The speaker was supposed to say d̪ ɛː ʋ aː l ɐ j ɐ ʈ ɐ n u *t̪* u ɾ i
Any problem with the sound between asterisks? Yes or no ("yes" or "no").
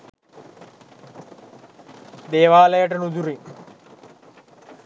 yes